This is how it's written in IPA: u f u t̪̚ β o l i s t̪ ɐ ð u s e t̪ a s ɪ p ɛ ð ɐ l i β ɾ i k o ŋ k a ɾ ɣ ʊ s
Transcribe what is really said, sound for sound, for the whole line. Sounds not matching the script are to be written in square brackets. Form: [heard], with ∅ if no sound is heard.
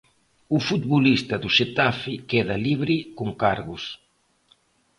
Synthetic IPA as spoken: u f u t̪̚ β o l i s t̪ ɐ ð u [ʃ] e t̪ a [f] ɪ [k] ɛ ð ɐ l i β ɾ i k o ŋ k a ɾ ɣ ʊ s